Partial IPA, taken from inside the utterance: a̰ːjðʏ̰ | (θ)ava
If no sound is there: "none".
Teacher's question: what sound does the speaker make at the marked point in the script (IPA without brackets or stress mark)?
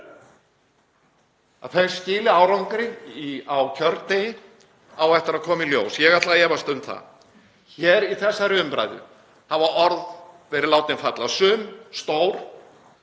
h